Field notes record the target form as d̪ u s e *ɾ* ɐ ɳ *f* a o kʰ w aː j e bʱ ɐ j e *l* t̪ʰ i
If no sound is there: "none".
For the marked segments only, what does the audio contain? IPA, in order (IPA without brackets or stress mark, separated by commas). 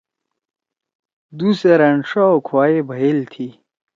ɾ, ʂ, l